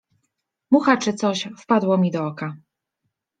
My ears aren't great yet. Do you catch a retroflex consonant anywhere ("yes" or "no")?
yes